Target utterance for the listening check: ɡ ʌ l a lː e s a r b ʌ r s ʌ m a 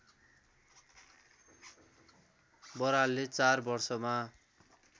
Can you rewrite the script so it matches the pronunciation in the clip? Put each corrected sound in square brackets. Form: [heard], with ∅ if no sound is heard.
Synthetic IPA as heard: [b] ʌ [ɾ] a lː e [t͡s] a r b ʌ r s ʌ m a